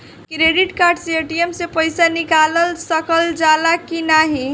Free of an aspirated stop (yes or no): yes